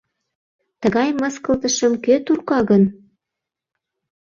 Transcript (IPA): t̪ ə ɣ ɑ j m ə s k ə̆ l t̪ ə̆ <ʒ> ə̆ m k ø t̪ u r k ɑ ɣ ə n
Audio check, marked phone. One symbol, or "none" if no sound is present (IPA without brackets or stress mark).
ʃ